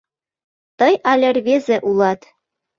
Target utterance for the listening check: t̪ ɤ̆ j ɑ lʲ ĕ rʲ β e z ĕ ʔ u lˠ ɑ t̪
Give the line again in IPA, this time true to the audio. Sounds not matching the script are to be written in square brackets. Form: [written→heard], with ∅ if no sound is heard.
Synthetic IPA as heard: t̪ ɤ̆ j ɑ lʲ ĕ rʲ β e z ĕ ʔ u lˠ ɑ t̪